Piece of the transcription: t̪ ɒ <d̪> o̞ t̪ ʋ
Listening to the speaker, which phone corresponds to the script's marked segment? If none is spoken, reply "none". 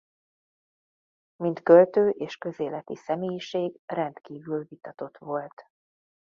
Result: t̪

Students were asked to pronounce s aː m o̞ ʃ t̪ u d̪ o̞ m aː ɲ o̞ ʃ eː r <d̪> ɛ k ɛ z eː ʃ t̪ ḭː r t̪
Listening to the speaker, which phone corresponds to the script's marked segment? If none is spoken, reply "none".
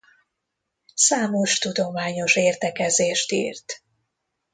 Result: t̪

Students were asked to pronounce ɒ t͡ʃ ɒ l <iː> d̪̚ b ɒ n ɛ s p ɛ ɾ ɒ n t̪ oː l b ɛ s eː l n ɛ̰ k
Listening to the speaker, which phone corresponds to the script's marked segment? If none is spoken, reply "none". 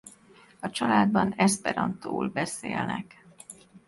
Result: aː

